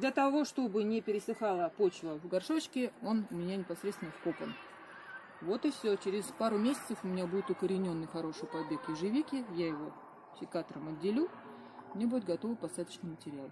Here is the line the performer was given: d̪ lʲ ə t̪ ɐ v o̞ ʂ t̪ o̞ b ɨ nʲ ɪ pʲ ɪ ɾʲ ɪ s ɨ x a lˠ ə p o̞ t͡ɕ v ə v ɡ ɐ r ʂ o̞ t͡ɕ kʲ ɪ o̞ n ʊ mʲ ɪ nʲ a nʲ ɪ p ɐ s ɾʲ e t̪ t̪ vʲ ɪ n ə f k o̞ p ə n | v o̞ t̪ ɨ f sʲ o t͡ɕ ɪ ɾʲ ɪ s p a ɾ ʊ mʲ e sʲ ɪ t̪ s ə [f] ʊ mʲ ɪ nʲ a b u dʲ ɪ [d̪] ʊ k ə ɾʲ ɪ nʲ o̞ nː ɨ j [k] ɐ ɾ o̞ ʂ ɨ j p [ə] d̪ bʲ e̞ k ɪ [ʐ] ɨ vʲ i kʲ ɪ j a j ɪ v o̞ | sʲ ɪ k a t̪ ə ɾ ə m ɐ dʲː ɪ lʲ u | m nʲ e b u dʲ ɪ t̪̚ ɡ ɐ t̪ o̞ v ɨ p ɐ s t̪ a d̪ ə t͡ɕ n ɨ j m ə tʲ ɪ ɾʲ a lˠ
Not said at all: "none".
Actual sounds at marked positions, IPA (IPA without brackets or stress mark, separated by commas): f, t̪, x, ɐ, ʐ